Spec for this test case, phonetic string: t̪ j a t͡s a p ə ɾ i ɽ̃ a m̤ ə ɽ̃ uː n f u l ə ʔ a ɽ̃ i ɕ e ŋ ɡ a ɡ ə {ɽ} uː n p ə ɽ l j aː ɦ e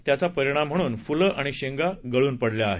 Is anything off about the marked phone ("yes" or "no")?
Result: yes